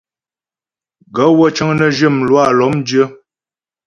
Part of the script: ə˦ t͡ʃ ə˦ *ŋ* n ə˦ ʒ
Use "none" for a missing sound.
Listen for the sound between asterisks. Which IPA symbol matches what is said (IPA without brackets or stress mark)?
ŋ